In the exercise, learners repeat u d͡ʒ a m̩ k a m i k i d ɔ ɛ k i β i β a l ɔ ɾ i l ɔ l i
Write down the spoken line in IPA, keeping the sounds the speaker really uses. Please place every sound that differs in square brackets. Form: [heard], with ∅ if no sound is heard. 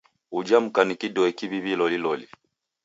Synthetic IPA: u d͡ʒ a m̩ k a [n] i k i d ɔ ɛ k i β i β [i] l ɔ [l] i l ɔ l i

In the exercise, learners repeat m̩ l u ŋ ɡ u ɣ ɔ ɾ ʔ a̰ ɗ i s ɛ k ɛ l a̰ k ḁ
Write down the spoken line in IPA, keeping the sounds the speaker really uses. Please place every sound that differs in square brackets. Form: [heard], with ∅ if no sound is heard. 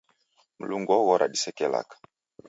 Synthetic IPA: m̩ l u ŋ ɡ [ɔ] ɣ ɔ ɾ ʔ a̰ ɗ i s ɛ k ɛ l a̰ k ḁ

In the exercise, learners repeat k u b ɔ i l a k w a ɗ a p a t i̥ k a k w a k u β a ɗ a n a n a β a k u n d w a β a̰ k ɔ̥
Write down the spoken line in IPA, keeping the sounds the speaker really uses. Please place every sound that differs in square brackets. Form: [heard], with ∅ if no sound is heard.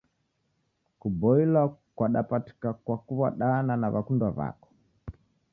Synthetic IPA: k u b ɔ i l a k w a ɗ a p a t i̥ k a k w a k u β a ɗ a n a n a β a k u n d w a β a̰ k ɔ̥

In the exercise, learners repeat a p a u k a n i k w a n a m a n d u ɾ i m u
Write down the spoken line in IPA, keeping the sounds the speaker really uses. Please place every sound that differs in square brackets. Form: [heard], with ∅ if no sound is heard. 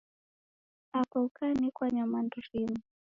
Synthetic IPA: a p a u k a n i k w a [ɲ] a m a n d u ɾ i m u

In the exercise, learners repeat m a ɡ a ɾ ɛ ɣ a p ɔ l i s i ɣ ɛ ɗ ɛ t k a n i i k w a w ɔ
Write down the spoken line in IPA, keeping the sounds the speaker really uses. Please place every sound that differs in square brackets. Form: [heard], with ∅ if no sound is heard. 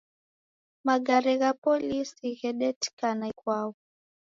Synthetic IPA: m a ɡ a ɾ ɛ ɣ a p ɔ l i s i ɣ ɛ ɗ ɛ t k a n [a] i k w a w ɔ

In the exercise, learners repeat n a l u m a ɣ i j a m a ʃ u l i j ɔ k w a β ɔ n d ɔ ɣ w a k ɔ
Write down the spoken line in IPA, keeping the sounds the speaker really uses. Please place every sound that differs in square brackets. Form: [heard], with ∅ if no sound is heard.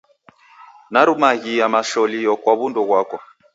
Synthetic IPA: n a [ɾ] u m a ɣ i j a m a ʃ [ɔ] l i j ɔ k w a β [u] n d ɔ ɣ w a k ɔ

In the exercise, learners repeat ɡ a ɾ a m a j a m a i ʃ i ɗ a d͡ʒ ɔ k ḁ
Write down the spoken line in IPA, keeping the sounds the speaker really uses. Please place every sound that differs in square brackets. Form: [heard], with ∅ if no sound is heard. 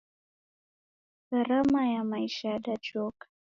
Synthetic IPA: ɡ a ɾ a m a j a m a i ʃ [a] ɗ a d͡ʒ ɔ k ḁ

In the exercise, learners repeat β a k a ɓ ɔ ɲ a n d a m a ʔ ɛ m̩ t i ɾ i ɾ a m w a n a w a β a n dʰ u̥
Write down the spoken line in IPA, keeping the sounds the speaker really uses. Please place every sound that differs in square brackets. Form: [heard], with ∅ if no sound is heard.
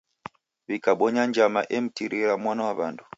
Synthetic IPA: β [i] k a ɓ ɔ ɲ a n [d͡ʒ] a m a ʔ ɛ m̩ t i ɾ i ɾ a m w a n a w a β a n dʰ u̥

